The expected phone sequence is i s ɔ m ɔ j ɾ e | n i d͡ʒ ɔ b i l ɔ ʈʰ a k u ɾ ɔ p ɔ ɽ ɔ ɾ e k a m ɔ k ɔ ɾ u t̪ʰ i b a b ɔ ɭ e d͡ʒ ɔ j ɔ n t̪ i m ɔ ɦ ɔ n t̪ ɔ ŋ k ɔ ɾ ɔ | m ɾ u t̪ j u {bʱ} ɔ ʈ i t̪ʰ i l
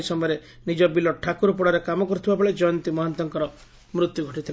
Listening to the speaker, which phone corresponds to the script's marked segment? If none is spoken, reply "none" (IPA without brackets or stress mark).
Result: ɡʱ